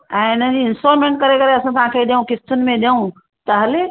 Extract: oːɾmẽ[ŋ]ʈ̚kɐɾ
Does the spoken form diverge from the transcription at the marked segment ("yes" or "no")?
yes